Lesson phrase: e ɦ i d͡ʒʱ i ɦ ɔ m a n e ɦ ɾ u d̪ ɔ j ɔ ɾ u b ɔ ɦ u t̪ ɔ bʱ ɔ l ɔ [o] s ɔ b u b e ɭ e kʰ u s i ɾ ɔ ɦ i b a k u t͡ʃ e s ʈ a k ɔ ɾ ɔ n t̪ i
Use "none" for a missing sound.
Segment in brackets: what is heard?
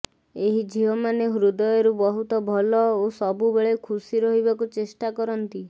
o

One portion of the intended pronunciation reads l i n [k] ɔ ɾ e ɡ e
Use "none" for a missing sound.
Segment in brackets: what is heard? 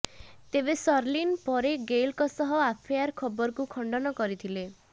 p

